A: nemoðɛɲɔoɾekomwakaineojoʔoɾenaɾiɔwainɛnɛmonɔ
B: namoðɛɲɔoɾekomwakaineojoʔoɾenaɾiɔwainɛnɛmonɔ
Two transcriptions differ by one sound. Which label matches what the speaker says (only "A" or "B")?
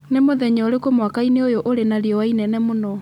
A